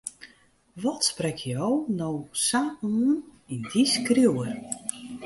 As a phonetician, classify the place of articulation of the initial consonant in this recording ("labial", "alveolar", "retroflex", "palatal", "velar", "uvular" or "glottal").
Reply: labial